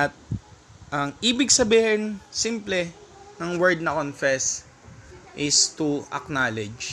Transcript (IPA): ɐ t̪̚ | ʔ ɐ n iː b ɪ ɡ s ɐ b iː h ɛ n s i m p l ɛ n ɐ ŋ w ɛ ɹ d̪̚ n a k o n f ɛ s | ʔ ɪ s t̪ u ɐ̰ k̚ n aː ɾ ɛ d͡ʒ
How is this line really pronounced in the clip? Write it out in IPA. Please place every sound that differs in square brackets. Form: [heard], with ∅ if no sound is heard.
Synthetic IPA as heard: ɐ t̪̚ | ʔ ɐ [ŋ] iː b ɪ ɡ s ɐ b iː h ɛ n s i m p l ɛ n ɐ ŋ w ɛ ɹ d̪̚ n [ɐ] k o n f ɛ s | ʔ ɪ s t̪ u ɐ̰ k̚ n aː [l] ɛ d͡ʒ